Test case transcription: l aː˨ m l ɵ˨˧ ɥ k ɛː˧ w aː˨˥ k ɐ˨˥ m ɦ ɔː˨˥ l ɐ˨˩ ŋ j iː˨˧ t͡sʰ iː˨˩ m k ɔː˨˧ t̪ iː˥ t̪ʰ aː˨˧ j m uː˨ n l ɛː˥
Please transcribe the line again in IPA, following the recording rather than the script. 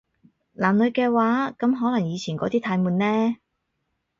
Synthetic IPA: l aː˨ m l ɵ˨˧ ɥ k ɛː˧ w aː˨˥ k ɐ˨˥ m ɦ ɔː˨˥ l ɐ˨˩ ŋ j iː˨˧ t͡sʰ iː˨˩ n k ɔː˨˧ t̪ iː˥ t̪ʰ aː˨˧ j m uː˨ n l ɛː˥